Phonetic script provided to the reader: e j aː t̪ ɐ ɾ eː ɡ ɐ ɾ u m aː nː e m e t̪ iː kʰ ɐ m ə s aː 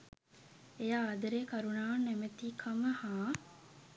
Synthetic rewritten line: e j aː d̪ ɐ ɾ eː k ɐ ɾ u n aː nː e m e t̪ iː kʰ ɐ m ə h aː